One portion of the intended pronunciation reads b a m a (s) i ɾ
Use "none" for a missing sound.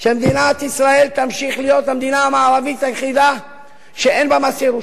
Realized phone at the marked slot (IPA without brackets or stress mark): s